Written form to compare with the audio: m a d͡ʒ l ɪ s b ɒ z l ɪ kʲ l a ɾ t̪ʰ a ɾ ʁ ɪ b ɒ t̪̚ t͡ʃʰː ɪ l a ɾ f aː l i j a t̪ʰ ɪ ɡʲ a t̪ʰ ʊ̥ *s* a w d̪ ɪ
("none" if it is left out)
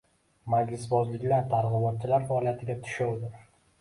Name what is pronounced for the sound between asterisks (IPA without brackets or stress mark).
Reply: ʃ